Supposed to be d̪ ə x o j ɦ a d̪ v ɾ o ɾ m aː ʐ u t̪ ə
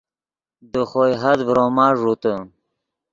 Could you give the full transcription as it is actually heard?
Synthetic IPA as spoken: d̪ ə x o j ɦ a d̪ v ɾ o m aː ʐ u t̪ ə